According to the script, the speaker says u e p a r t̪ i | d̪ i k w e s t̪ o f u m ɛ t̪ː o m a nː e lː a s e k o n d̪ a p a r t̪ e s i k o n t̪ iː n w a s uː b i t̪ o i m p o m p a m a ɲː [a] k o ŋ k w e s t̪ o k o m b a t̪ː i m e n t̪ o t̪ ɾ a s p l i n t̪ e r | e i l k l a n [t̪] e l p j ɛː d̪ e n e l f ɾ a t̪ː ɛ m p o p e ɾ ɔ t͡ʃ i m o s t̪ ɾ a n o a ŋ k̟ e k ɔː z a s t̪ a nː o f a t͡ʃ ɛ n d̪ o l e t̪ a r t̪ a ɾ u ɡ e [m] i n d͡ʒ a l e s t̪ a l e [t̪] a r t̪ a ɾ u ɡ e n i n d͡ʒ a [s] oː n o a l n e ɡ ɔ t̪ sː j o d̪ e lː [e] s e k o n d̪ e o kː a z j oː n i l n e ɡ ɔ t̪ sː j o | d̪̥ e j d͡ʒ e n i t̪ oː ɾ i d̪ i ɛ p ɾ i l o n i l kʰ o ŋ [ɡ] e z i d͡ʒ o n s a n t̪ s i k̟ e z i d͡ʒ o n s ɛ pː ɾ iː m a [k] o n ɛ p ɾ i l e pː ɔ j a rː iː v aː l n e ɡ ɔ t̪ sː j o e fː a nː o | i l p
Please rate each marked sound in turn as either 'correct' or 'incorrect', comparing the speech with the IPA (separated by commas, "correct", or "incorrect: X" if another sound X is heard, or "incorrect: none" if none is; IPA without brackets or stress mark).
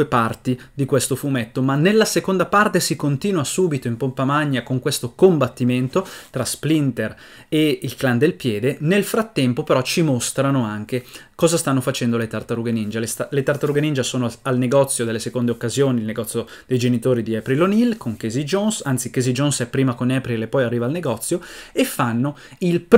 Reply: correct, incorrect: d̪, incorrect: n, correct, correct, correct, incorrect: k, correct